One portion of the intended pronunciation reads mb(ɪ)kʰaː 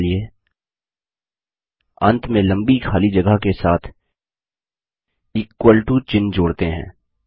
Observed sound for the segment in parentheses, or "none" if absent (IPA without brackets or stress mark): i